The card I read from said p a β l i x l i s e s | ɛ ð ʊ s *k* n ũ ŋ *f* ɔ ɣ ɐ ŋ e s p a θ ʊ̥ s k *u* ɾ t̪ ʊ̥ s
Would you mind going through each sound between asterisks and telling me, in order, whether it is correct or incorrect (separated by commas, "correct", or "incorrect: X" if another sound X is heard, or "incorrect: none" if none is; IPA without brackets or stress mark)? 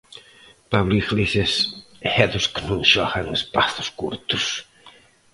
correct, incorrect: ʃ, correct